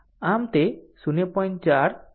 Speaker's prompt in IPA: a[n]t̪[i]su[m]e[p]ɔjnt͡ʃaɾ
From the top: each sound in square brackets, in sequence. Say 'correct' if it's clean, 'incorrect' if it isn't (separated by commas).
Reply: incorrect, incorrect, incorrect, correct